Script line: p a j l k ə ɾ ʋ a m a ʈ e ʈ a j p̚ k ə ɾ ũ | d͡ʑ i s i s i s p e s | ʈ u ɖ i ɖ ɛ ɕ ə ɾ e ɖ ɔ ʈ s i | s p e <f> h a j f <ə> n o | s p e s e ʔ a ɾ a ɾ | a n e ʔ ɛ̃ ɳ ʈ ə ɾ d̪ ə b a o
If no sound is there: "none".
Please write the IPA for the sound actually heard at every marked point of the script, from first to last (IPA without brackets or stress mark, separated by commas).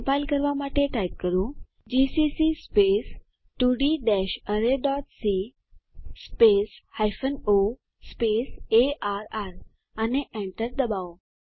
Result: s, ə